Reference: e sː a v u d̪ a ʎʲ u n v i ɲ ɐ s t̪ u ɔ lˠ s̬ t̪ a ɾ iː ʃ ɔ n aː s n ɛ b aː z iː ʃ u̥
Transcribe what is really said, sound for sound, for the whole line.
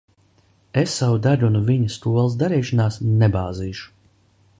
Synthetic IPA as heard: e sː a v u d̪ a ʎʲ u n v i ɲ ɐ s t̪ u ɔ lˠ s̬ d̪ a ɾ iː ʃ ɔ n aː s n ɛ b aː z iː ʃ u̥